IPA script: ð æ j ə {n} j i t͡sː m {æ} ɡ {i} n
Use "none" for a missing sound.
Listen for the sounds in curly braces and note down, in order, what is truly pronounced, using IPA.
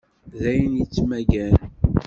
n, æ, æ

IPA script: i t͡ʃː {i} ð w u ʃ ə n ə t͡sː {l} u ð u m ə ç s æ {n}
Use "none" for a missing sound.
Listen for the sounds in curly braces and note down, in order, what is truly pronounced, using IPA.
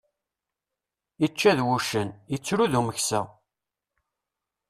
æ, ɾ, none

